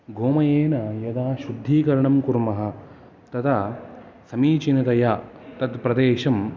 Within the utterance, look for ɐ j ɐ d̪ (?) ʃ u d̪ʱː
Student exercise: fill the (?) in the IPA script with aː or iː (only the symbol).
aː